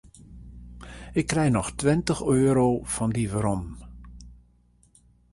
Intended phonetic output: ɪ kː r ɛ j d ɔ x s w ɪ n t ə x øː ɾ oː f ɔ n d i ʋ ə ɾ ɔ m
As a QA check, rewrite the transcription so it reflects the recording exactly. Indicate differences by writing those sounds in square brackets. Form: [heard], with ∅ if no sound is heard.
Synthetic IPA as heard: ɪ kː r ɛ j [n] ɔ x [t] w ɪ n t ə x øː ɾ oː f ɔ n d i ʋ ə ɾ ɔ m